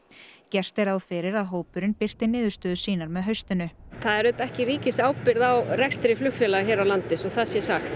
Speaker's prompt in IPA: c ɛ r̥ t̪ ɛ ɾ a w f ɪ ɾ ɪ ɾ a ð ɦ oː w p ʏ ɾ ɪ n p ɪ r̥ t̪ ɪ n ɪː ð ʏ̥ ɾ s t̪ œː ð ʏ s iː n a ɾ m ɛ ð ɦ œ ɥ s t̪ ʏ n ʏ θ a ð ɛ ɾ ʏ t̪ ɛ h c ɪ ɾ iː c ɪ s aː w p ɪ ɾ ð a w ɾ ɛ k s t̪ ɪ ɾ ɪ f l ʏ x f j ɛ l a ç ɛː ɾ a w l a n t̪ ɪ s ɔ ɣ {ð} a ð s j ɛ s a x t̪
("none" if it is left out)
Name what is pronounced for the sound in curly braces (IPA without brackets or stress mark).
θ